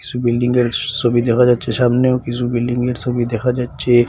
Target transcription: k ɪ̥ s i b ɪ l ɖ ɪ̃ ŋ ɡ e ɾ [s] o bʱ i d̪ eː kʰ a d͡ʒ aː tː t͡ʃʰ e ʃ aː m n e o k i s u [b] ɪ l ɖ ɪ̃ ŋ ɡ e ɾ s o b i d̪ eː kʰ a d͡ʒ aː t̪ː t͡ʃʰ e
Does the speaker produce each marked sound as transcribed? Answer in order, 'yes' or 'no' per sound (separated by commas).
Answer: yes, yes